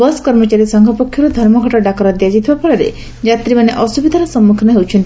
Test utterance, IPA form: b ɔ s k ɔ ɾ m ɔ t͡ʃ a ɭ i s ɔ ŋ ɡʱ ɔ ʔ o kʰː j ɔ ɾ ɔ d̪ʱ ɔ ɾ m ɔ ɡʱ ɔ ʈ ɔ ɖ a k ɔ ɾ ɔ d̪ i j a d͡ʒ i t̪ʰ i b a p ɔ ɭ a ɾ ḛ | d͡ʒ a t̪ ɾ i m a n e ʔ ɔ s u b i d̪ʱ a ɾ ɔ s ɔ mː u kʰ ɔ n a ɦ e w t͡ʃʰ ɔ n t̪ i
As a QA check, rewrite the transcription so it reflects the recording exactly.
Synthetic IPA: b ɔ s k ɔ ɾ m ɔ t͡ʃ a ɾ i s ɔ ŋ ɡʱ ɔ p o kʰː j ɔ ɾ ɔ d̪ʱ ɔ ɾ m ɔ ɡʱ ɔ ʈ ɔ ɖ a k ɔ ɾ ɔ d̪ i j a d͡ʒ i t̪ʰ i b a p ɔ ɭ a ɾ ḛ | d͡ʒ a t̪ ɾ i m a n e ʔ ɔ s u b i d̪ʱ a ɾ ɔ s ɔ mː u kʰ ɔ n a ɦ e w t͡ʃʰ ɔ n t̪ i